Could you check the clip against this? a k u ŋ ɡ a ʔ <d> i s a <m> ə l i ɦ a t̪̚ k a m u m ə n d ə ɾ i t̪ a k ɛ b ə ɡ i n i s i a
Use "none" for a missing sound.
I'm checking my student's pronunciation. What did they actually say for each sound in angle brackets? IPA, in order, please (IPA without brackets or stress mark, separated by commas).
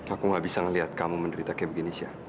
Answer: b, ŋ